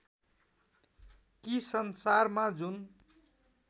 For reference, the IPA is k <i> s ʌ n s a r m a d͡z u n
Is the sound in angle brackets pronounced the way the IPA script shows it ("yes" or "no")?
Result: yes